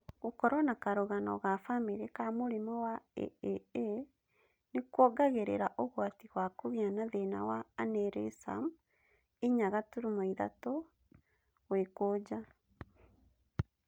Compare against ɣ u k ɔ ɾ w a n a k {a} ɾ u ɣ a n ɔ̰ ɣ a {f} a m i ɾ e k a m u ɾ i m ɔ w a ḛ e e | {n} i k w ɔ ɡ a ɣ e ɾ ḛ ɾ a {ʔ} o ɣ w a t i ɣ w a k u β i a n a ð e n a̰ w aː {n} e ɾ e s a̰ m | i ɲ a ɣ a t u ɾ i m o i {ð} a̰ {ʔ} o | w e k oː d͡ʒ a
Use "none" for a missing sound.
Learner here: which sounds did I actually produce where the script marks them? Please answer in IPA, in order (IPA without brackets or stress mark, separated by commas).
a, f, n, ʔ, n, ð, t